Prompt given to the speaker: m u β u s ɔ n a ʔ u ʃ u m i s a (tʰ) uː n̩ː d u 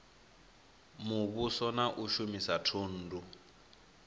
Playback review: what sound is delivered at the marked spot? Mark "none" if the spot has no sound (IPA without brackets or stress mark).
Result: tʰ